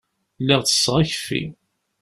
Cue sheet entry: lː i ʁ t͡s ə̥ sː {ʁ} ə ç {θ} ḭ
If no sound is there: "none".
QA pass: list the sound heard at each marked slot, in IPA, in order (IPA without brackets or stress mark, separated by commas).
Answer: ʁ, f